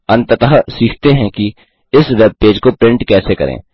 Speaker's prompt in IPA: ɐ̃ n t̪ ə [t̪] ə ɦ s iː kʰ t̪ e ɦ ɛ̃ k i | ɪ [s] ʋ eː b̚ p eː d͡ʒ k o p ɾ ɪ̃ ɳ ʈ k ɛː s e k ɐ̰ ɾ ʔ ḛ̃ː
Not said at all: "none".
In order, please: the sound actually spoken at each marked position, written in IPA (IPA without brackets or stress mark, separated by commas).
t̪, s